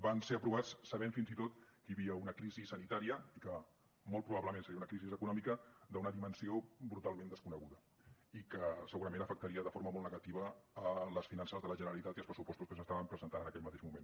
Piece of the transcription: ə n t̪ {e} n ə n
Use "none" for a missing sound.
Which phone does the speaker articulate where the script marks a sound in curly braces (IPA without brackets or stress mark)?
a